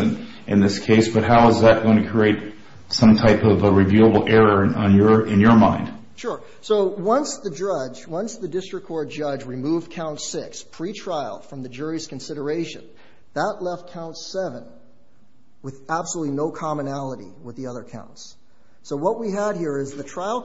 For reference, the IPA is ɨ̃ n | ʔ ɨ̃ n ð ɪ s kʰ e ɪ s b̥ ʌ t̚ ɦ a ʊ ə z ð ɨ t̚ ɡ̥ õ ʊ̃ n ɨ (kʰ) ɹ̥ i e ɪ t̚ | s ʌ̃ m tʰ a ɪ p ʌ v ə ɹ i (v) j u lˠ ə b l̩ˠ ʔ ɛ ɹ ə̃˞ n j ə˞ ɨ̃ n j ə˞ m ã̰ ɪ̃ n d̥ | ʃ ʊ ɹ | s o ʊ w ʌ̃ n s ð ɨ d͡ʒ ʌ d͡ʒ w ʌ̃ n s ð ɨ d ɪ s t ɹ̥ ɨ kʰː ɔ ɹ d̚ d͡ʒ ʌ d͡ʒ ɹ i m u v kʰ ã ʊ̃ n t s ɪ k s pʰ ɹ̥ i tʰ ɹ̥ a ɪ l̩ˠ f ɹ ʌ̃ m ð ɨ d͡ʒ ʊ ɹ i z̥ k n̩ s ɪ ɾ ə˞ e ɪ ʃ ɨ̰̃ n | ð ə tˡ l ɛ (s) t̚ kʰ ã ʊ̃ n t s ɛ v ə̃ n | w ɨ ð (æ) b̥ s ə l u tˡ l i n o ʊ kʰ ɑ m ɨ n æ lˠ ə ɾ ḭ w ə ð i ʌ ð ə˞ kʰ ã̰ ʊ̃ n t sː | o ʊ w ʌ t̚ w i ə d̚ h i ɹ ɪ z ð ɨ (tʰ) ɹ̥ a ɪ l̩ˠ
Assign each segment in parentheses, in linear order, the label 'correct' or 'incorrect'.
correct, correct, incorrect: f, correct, correct

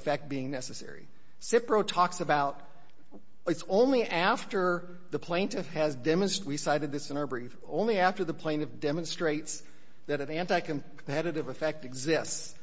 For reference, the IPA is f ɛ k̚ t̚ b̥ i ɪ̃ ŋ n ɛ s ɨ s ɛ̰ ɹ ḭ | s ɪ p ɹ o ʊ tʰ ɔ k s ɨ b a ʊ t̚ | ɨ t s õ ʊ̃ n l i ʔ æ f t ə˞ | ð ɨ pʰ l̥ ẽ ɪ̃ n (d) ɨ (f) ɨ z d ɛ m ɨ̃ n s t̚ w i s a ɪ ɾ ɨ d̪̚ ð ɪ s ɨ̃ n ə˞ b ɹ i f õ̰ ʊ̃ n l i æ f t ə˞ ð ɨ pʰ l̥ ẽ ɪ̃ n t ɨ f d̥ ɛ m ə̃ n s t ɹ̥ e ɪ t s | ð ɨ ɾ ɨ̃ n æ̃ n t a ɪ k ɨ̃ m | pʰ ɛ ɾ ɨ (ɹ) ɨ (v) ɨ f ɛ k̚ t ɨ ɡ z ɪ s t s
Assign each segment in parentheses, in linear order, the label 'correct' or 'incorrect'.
incorrect: t, correct, incorrect: ɾ, correct

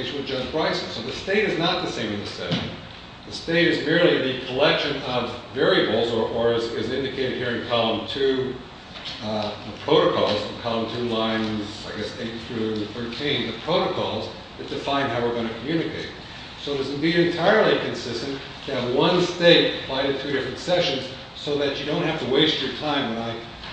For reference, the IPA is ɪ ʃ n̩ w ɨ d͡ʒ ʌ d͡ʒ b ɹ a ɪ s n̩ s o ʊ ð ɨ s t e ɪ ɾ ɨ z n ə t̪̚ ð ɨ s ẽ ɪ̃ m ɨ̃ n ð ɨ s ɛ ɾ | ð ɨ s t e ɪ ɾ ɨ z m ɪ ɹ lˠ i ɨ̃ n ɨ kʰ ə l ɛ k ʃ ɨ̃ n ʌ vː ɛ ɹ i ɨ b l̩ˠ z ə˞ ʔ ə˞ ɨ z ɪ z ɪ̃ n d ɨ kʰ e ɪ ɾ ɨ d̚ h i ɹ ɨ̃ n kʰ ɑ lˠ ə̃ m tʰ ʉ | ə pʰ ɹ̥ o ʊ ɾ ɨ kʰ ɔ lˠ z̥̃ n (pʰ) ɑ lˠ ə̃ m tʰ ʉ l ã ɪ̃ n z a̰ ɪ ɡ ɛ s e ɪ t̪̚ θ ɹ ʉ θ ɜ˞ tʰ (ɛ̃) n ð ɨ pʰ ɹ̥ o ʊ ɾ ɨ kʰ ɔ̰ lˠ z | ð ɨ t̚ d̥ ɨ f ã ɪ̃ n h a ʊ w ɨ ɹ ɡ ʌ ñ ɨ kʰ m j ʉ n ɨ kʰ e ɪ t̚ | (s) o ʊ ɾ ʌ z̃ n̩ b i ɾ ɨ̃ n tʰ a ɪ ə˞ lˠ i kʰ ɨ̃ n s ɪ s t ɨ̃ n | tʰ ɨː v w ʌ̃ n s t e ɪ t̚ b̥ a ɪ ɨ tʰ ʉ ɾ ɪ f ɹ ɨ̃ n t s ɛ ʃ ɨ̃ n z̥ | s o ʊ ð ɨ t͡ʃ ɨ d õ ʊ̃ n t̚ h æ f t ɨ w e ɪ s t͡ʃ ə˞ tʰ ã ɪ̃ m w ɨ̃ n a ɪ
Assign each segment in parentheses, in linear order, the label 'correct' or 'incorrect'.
incorrect: kʰ, incorrect: ĩ, correct

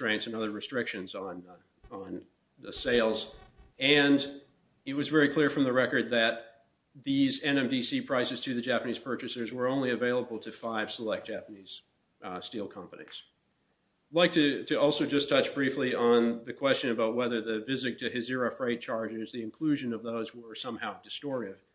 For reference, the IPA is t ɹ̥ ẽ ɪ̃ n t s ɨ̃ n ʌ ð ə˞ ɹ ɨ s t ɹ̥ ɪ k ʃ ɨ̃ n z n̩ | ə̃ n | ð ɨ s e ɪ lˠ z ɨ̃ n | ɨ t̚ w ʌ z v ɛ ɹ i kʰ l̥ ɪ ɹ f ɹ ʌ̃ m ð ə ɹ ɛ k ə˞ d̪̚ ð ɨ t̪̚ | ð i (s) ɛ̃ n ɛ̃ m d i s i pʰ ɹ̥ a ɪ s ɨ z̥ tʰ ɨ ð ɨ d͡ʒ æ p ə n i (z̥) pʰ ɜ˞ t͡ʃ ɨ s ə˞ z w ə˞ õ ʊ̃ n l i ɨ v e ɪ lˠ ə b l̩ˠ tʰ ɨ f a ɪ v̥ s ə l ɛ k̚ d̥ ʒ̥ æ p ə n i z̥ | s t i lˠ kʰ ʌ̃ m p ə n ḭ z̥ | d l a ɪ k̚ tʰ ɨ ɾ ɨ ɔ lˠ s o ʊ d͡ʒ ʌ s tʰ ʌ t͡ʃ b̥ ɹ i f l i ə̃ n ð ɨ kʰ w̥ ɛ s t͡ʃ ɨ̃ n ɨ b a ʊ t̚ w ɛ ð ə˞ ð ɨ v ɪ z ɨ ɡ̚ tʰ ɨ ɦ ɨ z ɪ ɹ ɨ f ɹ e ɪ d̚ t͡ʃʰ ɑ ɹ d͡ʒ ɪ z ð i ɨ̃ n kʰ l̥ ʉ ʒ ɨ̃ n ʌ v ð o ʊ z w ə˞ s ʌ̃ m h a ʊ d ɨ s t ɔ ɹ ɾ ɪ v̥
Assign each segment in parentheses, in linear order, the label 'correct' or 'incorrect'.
incorrect: z, correct

